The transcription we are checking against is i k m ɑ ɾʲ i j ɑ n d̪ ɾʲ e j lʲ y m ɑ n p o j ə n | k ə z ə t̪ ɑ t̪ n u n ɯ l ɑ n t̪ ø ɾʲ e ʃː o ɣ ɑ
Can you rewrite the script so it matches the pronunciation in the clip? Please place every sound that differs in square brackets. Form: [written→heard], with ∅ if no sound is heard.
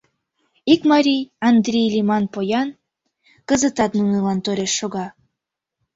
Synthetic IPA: i k m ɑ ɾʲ i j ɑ n d̪ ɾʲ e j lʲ [y→i] m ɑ n p o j [ə→ɑ] n | k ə z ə t̪ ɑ t̪ n u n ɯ l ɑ n t̪ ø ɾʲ e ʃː o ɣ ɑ